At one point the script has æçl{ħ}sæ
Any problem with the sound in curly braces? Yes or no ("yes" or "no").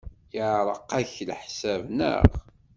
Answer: no